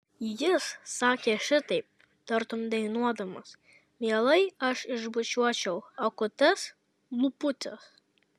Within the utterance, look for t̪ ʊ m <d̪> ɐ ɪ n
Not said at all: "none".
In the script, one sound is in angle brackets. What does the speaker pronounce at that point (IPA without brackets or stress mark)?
d̪